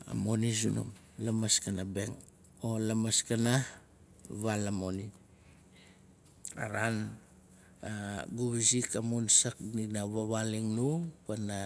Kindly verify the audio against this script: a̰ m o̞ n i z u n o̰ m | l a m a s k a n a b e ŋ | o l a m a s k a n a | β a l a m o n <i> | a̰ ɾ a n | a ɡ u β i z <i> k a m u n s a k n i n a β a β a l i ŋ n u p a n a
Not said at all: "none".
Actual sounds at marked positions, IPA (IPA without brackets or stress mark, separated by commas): i, i